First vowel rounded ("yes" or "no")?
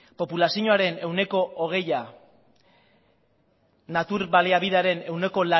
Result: yes